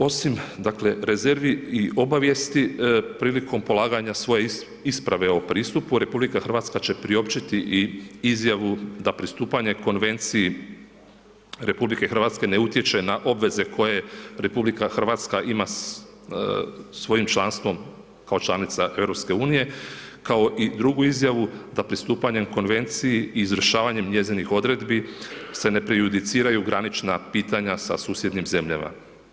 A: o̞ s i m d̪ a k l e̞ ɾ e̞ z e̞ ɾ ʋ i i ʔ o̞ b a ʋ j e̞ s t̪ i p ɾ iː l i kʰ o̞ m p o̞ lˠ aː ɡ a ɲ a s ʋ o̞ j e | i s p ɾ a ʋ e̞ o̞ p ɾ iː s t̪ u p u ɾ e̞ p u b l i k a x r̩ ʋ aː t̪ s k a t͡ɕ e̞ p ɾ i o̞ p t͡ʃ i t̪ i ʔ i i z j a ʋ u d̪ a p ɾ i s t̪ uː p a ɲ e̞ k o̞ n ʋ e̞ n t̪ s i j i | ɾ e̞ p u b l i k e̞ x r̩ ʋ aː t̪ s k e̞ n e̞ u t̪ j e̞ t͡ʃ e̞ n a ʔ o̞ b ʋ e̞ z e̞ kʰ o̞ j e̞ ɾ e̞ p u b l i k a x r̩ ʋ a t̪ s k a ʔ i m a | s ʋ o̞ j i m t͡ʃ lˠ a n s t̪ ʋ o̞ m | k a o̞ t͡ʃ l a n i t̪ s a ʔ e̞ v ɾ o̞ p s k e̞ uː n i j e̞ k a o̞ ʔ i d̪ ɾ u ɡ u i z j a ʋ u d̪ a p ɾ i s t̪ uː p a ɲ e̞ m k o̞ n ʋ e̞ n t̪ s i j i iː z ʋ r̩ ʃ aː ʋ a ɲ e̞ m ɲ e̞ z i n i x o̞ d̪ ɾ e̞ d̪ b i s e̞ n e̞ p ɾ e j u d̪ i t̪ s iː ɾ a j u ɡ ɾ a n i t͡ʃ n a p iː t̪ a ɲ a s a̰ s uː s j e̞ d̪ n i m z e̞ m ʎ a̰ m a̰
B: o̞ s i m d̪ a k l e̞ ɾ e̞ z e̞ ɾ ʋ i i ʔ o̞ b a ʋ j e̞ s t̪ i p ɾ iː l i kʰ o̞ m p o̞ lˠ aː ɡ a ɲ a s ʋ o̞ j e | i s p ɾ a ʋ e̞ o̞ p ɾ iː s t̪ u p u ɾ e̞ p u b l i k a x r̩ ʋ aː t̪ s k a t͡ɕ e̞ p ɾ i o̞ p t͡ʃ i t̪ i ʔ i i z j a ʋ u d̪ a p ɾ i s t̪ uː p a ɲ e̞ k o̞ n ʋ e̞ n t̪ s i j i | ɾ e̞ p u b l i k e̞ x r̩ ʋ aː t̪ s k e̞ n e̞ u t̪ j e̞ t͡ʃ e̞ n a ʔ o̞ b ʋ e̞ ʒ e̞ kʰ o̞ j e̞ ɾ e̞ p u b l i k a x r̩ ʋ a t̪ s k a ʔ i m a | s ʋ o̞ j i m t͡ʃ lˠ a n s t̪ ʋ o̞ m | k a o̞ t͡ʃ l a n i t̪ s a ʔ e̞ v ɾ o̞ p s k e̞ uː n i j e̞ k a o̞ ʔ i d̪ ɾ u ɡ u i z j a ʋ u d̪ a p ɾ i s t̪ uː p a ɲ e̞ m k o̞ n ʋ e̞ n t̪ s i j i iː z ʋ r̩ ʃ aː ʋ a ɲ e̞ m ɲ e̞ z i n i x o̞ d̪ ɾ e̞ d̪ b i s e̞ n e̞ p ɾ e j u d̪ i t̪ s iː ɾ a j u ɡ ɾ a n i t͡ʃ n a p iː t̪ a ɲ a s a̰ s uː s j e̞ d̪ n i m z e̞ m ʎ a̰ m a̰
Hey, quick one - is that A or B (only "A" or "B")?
A